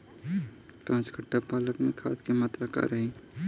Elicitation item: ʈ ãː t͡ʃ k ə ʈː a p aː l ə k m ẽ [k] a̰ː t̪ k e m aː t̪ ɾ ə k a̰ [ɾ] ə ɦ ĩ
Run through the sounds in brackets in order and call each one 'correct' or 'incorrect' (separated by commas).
incorrect, correct